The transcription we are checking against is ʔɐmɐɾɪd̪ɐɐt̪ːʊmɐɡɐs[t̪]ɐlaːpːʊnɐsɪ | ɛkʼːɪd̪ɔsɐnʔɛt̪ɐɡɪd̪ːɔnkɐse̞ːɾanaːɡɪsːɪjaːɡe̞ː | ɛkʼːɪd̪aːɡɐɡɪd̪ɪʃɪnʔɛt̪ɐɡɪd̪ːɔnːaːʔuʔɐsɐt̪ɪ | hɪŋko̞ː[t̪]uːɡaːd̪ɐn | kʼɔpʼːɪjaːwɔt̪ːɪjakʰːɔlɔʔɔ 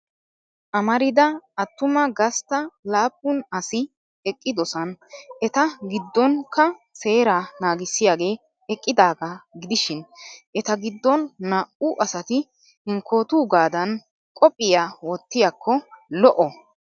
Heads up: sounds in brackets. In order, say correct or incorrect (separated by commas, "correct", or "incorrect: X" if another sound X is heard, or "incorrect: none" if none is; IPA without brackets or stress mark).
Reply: correct, correct